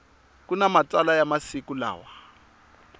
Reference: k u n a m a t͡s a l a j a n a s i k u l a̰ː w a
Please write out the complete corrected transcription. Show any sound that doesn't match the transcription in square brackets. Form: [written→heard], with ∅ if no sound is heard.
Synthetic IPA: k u n a m a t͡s a l a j a [n→m] a s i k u l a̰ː w a